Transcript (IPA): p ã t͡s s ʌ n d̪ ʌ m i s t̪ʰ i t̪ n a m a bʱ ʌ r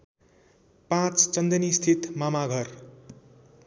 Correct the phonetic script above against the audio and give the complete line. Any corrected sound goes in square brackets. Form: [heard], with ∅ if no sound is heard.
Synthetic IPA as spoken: p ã t͡s [t͡s] ʌ n d̪ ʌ [n] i s t̪ʰ i t̪ [m] a m a [ɡʱ] ʌ r

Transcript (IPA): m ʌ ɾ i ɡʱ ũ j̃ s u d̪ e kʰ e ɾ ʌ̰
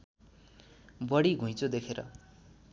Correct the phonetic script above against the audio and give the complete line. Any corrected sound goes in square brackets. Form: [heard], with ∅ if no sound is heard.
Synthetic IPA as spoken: [b] ʌ [ɽ] i ɡʱ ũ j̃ [t͡s] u d̪ e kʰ e ɾ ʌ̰

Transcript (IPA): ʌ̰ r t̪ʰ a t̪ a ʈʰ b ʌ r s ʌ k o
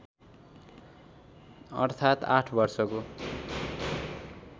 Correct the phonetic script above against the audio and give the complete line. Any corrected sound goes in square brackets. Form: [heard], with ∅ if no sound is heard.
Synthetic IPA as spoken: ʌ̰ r t̪ʰ a t̪ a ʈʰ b ʌ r s ʌ k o

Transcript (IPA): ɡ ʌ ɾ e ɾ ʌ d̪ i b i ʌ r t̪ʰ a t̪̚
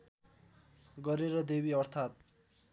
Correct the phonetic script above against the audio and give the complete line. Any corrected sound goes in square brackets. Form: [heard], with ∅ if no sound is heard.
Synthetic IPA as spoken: ɡ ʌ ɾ e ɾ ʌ d̪ [e] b i ʌ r t̪ʰ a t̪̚

